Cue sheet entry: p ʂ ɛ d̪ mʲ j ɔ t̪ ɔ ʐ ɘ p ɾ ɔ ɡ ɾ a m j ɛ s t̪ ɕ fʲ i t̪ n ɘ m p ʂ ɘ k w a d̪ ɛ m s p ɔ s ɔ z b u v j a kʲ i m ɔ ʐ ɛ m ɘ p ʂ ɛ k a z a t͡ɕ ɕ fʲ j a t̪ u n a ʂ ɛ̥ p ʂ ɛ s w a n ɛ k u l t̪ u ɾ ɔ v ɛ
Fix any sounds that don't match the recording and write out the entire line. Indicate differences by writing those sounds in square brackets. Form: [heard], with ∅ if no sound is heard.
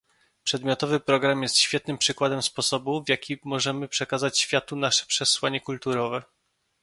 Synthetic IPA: p ʂ ɛ d̪ mʲ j ɔ t̪ ɔ [v] ɘ p ɾ ɔ ɡ ɾ a m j ɛ s t̪ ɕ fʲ [ɛ] t̪ n ɘ m p ʂ ɘ k w a d̪ ɛ m s p ɔ s ɔ [∅] b u v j a kʲ i m ɔ ʐ ɛ m ɘ p ʂ ɛ k a z a t͡ɕ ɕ fʲ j a t̪ u n a ʂ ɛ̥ p ʂ ɛ s w a [ɲ] ɛ k u l t̪ u ɾ ɔ v ɛ